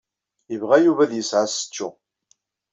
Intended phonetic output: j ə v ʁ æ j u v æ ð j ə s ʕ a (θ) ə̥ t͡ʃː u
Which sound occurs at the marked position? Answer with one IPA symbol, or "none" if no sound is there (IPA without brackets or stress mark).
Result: s